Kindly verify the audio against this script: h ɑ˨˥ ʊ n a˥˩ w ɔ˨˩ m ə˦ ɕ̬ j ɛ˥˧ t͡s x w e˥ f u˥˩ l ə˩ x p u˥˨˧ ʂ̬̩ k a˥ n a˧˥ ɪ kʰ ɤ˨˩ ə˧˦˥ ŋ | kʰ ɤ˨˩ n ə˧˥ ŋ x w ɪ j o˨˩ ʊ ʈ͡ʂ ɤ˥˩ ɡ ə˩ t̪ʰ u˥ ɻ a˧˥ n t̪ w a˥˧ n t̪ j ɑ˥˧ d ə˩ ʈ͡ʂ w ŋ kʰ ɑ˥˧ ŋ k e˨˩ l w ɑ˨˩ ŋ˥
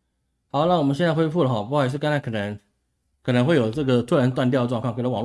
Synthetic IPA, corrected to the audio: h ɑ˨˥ ʊ n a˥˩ w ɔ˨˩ m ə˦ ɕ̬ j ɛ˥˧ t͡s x w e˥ f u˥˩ l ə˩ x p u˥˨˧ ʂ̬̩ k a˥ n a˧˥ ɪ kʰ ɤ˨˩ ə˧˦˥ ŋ | kʰ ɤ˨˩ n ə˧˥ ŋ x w ɪ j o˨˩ ʊ ʈ͡ʂ ɤ˥˩ ɡ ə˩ t̪ʰ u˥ ɻ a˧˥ n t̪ w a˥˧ n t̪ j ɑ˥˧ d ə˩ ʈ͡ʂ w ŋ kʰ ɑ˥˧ ŋ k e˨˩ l w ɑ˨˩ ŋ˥